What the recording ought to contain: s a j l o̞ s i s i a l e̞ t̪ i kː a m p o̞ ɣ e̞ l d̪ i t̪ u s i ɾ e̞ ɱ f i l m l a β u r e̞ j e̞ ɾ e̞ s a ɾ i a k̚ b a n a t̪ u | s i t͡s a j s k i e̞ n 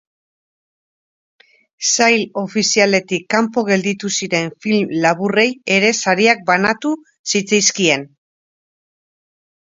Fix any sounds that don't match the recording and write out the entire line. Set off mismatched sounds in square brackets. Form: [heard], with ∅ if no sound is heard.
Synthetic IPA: s a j l o̞ [f] i s i a l e̞ t̪ i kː a m p o̞ ɣ e̞ l d̪ i t̪ u s i ɾ e̞ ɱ f i l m l a β u r e̞ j e̞ ɾ e̞ s a ɾ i a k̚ b a n a t̪ u | s i t͡s a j s k i e̞ n